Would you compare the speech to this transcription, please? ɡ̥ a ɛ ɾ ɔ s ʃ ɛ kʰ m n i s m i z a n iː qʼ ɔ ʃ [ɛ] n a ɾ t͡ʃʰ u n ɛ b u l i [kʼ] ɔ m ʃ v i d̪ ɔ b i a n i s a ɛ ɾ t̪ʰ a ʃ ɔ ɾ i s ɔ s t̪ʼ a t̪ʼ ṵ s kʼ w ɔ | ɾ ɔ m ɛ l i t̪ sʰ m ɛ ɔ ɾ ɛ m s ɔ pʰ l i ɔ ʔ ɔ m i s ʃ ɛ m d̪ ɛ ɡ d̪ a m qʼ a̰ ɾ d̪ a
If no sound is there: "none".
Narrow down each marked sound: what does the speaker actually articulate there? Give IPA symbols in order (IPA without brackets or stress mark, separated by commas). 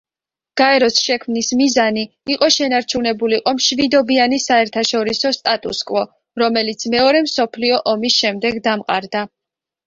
ɛ, qʼ